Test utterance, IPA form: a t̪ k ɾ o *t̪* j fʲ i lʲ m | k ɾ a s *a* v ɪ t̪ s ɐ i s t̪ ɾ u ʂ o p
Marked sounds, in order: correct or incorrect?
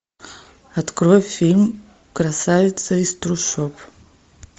incorrect: none, correct

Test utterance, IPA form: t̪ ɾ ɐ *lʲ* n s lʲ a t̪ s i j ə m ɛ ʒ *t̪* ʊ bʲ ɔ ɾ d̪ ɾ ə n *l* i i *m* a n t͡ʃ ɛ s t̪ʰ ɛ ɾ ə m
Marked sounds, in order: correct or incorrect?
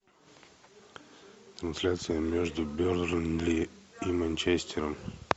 incorrect: none, incorrect: d̪, correct, correct

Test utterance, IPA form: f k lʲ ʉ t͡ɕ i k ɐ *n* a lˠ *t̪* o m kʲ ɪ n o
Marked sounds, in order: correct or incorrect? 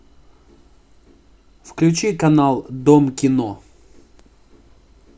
correct, incorrect: d̪

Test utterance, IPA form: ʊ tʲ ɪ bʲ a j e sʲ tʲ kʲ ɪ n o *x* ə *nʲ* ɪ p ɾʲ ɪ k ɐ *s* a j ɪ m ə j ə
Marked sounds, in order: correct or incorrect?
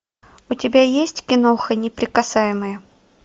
correct, correct, correct

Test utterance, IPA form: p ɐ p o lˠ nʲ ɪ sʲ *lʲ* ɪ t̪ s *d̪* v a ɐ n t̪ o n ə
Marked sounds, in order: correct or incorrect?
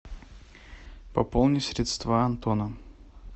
incorrect: ɾʲ, incorrect: t̪

